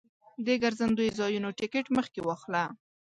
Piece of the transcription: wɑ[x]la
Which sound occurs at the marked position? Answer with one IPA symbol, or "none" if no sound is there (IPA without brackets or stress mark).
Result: x